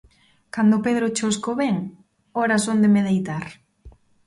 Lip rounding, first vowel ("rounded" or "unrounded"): unrounded